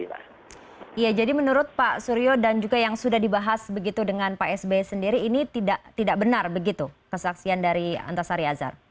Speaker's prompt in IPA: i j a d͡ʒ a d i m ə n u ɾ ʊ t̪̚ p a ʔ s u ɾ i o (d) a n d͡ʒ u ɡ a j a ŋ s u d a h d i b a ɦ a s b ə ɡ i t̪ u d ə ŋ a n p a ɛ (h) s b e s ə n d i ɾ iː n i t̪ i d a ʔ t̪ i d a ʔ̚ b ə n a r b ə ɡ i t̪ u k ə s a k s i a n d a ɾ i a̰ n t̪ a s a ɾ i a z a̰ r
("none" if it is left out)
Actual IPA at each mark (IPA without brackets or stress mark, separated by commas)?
d, none